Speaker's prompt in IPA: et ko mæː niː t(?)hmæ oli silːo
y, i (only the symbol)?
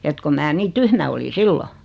y